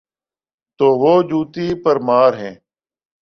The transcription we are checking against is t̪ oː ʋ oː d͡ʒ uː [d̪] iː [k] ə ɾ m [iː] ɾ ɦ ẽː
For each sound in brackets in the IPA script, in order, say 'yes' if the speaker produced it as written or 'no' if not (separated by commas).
no, no, no